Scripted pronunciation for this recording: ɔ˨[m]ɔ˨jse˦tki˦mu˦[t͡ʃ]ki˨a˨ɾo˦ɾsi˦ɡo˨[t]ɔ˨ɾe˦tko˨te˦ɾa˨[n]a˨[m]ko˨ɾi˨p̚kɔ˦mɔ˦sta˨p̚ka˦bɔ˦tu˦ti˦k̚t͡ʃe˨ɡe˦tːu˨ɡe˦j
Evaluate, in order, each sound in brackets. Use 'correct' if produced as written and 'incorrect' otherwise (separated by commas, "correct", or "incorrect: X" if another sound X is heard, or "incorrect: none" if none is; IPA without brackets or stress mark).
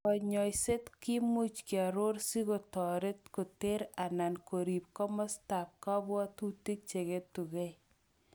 incorrect: ɲ, correct, correct, correct, incorrect: n